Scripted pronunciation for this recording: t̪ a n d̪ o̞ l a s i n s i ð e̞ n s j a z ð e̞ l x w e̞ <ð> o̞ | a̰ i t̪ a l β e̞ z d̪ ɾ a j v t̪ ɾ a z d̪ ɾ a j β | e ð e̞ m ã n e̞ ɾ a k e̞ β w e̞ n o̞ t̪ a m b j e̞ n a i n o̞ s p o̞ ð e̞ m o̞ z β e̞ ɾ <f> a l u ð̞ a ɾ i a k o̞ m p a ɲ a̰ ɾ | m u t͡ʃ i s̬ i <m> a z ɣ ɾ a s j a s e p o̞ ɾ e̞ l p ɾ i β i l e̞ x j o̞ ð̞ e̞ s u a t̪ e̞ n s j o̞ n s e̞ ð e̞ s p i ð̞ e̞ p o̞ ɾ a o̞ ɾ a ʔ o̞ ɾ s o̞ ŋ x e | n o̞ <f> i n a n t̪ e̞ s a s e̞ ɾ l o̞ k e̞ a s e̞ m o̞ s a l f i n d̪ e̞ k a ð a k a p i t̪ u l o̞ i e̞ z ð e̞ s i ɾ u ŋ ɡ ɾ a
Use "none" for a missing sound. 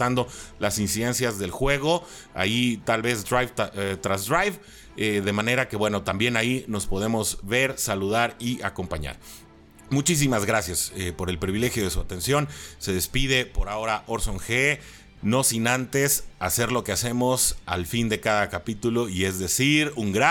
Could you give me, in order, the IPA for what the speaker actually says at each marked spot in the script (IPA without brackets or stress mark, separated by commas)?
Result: ɣ, s, m, s